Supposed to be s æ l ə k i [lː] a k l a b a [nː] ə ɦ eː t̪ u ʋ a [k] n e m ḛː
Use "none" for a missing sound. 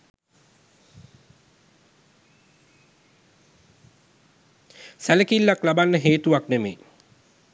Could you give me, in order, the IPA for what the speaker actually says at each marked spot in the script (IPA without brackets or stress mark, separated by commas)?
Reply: lː, nː, k